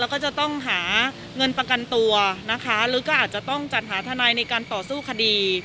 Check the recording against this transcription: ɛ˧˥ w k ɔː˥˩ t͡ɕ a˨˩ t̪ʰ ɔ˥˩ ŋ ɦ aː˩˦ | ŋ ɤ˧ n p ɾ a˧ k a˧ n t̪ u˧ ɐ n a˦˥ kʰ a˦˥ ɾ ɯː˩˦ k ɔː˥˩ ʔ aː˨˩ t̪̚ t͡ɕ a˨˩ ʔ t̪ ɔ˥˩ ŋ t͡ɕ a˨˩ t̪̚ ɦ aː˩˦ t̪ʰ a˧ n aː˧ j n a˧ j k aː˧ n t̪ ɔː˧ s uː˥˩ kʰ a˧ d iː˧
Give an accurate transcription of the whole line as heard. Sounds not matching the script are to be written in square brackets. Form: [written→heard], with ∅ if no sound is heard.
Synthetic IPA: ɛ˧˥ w k ɔː˥˩ t͡ɕ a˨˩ [t̪ʰ→t̪] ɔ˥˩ ŋ ɦ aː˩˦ | ŋ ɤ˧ n p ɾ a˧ k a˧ n t̪ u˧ ɐ n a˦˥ kʰ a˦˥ ɾ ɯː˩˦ k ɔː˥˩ ʔ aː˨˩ t̪̚ t͡ɕ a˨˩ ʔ t̪ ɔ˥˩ ŋ t͡ɕ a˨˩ t̪̚ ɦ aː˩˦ t̪ʰ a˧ n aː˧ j n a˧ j k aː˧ n t̪ [ɔː˧→ɔː˨˩] s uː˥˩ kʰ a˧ d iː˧